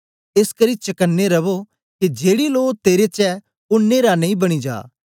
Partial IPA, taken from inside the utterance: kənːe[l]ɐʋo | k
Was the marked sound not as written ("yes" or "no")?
yes